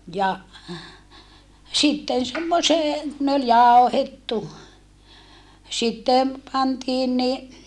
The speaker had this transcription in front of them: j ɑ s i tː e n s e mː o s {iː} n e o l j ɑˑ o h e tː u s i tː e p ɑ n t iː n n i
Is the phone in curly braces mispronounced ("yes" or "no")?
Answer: yes